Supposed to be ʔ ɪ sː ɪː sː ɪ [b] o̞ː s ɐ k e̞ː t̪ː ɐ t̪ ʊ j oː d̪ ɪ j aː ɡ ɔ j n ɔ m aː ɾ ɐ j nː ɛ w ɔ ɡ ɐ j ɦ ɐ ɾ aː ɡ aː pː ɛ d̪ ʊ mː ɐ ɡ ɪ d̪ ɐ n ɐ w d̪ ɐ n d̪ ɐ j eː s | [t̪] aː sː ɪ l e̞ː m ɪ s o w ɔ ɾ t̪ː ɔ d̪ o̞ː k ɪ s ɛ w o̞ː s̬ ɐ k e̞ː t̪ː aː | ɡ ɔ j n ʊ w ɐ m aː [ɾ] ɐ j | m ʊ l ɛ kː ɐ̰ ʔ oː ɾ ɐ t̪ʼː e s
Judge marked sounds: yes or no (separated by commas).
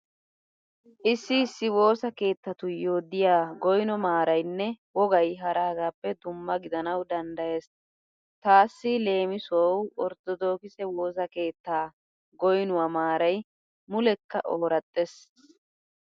no, yes, yes